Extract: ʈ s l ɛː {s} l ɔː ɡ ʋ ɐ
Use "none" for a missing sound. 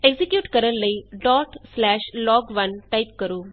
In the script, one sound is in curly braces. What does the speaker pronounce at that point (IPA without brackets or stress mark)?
ʃ